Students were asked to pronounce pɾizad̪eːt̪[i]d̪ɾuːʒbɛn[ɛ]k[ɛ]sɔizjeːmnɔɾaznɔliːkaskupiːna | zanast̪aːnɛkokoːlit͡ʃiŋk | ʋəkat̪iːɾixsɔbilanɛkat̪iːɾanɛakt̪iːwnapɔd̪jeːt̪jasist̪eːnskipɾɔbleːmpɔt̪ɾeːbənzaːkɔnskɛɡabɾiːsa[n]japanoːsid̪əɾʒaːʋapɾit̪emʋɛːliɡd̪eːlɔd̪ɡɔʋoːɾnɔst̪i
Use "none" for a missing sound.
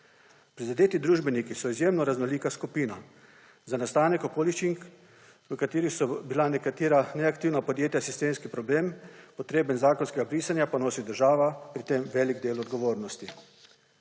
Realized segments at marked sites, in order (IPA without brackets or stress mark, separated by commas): i, i, i, n